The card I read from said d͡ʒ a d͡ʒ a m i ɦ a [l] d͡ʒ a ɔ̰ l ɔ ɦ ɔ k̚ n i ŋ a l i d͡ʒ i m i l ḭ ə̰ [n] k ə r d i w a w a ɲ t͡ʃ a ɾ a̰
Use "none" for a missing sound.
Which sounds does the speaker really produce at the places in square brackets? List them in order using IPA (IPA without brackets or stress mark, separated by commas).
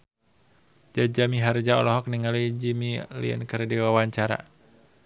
r, n